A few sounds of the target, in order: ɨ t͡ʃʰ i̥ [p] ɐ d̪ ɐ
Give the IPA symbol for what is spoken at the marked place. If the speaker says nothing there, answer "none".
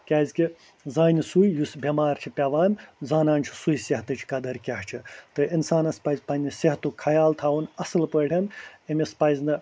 k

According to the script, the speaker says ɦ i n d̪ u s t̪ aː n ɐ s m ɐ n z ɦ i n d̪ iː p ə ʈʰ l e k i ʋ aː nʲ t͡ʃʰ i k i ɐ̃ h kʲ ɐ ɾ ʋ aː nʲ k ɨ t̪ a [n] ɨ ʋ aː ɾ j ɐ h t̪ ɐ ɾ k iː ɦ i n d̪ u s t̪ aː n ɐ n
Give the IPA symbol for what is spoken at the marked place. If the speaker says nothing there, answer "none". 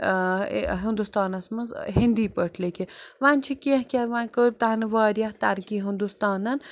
n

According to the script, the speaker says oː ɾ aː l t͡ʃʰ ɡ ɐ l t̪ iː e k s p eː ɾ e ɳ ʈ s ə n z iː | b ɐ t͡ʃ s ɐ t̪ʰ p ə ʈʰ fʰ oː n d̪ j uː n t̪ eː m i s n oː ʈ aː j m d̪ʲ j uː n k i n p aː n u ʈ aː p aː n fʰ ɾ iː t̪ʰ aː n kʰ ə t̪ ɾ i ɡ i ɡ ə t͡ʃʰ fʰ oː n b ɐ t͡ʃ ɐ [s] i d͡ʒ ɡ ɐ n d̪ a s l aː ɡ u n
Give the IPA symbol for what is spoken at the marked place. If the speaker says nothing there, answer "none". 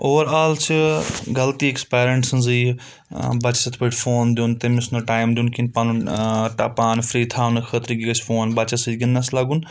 s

